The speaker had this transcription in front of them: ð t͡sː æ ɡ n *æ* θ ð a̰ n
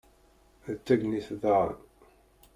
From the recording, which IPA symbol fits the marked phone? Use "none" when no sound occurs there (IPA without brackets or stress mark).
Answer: i